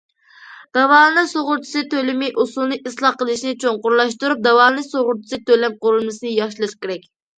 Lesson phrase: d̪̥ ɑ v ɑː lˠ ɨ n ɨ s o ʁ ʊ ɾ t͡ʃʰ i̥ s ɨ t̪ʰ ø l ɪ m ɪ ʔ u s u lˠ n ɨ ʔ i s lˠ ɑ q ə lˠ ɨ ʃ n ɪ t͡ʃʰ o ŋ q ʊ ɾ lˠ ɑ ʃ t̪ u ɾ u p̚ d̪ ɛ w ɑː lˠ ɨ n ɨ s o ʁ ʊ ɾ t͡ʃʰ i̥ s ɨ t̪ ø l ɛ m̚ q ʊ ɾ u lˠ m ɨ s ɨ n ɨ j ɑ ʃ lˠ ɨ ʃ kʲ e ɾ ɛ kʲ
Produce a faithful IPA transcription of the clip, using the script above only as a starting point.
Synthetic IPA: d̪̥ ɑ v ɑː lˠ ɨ n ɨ s o ʁ ʊ ɾ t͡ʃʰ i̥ s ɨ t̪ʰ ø l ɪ m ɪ ʔ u s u lˠ n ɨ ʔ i s lˠ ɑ q ə lˠ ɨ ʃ n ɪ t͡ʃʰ o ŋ q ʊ ɾ lˠ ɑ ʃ t̪ u ɾ u p̚ d̪ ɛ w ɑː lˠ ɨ n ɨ s o ʁ ʊ ɾ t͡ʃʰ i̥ s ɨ t̪ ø l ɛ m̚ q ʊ ɾ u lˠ m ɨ s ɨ n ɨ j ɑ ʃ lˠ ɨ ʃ kʲ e ɾ ɛ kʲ